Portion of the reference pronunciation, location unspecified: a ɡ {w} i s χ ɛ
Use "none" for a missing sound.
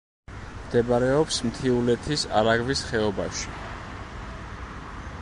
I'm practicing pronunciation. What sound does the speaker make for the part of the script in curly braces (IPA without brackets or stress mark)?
v